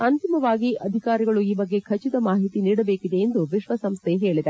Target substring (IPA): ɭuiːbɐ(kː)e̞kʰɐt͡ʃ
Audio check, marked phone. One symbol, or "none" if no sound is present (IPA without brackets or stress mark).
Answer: ɡː